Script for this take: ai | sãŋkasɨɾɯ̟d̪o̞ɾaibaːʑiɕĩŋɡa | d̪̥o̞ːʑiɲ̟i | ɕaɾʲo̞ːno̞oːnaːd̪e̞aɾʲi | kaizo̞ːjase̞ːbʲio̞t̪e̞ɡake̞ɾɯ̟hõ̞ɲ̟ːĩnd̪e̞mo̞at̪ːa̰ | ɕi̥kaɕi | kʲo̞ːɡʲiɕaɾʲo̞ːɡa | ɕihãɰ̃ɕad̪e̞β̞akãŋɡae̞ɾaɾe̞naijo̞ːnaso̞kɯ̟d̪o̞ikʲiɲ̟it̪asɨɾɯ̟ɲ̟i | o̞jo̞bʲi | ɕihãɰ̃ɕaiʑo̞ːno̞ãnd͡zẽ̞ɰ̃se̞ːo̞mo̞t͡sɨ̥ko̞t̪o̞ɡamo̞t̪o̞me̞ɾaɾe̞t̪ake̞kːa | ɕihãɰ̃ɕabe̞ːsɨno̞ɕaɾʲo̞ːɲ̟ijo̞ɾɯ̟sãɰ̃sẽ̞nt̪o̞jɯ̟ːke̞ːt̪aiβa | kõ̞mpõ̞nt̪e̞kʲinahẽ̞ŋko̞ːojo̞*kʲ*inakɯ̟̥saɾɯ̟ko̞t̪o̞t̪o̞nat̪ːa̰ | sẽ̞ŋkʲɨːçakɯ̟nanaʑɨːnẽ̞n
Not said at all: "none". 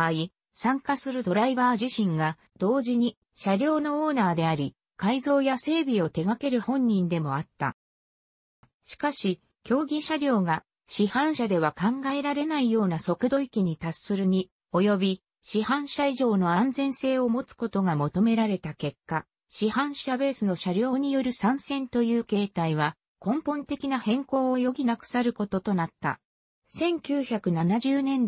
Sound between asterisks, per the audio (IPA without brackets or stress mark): ɡʲ